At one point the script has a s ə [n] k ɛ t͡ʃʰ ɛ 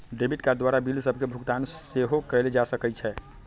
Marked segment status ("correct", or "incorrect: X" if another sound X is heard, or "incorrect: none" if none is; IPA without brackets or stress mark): incorrect: none